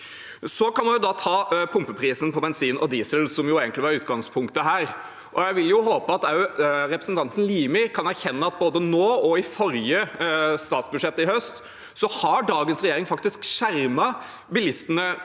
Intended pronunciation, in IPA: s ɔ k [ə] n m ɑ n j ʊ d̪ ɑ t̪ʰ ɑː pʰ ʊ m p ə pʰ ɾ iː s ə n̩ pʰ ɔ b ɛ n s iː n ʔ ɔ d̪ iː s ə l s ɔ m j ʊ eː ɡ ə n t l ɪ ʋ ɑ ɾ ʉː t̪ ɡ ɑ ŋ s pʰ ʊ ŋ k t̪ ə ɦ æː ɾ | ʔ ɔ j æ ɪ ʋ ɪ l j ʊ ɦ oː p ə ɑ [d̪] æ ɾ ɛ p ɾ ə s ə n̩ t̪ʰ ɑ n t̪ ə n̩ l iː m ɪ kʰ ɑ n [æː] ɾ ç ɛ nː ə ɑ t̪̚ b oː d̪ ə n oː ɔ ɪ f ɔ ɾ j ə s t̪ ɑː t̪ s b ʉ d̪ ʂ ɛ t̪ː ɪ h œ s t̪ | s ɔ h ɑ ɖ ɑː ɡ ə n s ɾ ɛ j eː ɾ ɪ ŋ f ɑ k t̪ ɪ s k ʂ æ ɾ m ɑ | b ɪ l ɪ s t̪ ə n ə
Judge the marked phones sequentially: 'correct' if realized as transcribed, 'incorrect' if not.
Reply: incorrect: ɑ, incorrect: t̪, incorrect: æ

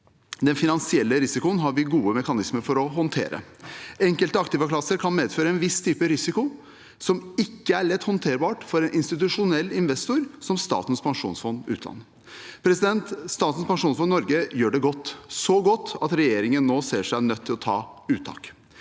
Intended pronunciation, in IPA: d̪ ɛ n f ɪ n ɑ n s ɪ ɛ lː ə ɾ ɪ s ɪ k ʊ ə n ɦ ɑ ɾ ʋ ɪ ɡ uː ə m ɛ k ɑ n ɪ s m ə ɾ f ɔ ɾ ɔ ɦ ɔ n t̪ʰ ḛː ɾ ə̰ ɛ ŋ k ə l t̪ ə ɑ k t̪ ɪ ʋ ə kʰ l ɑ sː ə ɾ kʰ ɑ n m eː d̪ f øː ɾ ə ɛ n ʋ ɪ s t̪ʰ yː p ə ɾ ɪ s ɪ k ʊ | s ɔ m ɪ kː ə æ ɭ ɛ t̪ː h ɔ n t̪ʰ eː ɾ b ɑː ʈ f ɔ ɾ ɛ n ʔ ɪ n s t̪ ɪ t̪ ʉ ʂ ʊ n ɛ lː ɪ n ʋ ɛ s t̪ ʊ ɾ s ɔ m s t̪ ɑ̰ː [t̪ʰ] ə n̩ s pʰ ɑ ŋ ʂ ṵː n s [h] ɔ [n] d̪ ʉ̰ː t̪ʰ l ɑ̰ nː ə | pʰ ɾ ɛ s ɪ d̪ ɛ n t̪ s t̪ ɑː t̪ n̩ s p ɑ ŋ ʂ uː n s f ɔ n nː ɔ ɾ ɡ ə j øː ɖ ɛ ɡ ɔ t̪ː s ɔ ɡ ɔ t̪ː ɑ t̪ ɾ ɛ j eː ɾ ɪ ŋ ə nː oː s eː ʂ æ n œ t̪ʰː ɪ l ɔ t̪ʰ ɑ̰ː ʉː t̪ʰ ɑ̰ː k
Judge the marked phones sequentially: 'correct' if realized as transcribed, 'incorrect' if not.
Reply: incorrect: t̪, incorrect: f, correct

